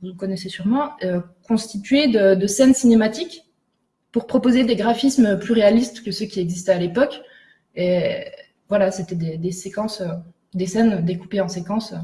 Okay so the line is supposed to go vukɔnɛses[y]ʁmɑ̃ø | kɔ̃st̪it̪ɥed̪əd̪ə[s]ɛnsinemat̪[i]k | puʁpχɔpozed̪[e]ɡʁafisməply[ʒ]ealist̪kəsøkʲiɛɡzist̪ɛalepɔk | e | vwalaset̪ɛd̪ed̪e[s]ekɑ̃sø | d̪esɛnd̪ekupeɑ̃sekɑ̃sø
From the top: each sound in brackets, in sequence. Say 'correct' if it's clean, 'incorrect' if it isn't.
correct, correct, correct, correct, incorrect: ʁ, correct

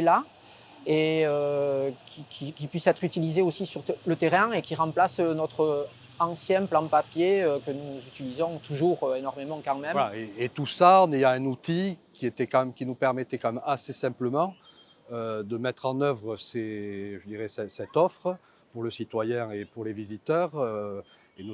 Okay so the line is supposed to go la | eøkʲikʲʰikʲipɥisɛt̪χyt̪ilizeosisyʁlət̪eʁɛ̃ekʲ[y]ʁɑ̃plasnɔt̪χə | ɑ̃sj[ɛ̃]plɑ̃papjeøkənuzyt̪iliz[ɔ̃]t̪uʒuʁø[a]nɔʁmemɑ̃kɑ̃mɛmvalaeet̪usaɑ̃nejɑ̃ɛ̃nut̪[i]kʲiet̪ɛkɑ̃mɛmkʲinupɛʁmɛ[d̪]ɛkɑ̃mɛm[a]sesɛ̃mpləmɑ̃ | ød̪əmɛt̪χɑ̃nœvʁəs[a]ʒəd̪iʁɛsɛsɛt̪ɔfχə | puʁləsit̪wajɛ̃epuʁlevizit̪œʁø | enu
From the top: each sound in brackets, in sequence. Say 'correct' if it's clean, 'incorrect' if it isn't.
incorrect: i, correct, correct, incorrect: e, correct, incorrect: t̪, correct, incorrect: e

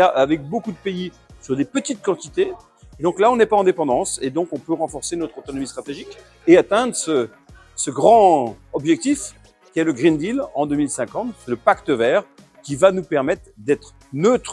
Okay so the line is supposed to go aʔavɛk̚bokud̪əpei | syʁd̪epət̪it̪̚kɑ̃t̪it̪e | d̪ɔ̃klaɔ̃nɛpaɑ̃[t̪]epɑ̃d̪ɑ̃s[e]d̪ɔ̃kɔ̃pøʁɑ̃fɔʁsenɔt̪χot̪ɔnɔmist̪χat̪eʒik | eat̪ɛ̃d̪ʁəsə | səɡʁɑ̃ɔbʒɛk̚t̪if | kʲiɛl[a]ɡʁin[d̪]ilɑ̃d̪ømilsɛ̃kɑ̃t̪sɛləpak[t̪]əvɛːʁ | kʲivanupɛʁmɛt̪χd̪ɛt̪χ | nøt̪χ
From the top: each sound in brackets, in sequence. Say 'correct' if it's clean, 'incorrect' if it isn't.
incorrect: d̪, correct, incorrect: ə, correct, correct

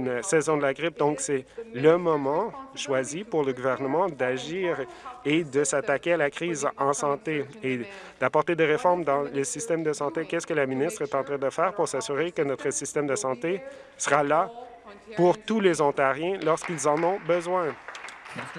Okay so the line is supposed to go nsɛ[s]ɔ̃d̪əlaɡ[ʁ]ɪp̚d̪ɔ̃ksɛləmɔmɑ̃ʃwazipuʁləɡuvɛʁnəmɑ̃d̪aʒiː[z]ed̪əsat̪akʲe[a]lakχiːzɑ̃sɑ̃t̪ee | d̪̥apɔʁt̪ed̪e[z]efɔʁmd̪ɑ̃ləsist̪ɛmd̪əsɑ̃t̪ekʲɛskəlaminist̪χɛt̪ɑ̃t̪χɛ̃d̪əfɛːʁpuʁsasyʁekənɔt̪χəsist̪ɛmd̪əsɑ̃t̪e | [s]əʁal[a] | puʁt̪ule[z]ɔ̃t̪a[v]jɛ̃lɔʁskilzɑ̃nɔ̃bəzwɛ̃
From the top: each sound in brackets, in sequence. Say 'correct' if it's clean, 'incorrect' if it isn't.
incorrect: z, correct, incorrect: ʁ, correct, incorrect: ʁ, correct, correct, correct, incorrect: ʁ

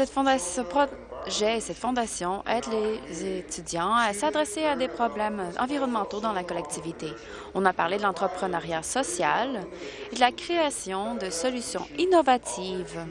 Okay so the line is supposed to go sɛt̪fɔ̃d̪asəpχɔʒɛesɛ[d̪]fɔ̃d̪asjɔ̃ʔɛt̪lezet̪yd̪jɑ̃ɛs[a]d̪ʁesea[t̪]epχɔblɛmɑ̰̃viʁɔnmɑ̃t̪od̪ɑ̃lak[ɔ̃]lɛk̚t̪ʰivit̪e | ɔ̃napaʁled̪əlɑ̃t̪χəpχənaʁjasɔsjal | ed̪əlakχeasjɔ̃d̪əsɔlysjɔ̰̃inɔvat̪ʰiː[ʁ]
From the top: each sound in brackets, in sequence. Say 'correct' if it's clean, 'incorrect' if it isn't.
incorrect: t̪, correct, incorrect: d̪, incorrect: ɔ, incorrect: v

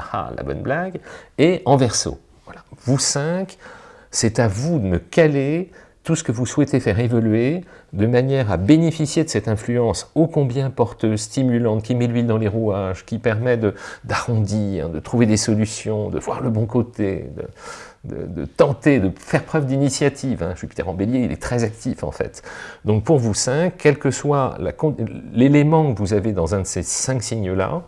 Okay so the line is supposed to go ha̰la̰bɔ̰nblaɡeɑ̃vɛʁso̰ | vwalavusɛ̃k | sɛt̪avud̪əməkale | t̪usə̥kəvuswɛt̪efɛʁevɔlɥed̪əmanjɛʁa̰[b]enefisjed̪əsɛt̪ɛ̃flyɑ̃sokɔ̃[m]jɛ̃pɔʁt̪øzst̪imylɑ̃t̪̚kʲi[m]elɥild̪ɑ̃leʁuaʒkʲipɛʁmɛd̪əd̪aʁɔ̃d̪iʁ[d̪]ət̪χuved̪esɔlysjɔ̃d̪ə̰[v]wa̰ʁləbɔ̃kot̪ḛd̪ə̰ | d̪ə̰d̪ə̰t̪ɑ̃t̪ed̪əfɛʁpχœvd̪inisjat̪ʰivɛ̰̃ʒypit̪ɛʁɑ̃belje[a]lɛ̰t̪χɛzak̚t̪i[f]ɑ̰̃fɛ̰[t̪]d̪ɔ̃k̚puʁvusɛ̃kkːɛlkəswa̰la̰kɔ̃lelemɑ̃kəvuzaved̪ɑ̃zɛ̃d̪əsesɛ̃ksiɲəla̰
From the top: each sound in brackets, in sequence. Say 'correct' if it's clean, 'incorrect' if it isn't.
correct, incorrect: b, correct, correct, correct, incorrect: i, correct, correct

